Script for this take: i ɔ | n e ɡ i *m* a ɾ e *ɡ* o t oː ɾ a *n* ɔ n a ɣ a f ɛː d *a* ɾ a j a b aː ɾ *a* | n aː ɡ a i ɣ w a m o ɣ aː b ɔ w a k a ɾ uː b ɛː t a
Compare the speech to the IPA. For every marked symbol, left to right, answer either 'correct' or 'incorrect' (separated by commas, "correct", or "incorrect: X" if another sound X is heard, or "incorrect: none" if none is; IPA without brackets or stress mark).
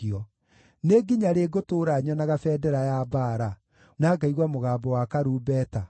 incorrect: ɲ, correct, incorrect: ɲ, incorrect: ɛ, correct